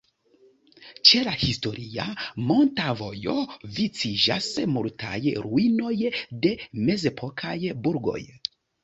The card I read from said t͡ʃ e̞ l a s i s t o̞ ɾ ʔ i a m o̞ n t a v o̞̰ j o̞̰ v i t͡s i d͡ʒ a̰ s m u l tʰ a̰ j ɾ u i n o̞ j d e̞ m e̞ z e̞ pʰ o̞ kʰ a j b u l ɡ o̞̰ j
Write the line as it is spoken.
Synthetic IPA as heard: t͡ʃ e̞ l a h i s t o̞ ɾ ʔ i a m o̞ n t a v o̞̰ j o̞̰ v i t͡s i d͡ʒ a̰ s m u l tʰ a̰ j ɾ u i n o̞ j d e̞ m e̞ z e̞ pʰ o̞ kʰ a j b u ɾ ɡ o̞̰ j